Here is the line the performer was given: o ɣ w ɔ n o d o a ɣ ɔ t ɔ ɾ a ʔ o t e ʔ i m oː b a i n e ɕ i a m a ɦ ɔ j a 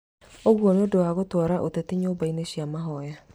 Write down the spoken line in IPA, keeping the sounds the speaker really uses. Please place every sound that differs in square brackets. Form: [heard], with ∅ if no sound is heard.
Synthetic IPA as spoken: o ɣ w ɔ n o d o a ɣ [o] t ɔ ɾ a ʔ o t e [t] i [ɲ] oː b a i n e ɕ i a m a ɦ ɔ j a